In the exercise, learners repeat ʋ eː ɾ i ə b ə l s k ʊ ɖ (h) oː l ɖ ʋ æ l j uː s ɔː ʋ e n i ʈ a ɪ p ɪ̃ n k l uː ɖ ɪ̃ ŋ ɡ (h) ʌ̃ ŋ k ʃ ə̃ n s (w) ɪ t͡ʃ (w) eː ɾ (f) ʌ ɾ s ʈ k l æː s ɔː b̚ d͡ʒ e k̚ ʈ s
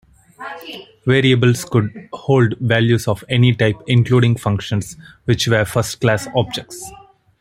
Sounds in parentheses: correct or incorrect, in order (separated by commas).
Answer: correct, incorrect, incorrect, incorrect, correct